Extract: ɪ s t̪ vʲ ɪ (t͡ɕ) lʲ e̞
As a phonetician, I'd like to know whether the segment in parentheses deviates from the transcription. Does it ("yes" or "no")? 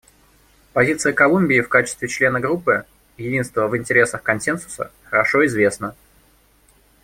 no